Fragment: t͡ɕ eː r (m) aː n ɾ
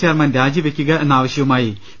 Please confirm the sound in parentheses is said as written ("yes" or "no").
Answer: yes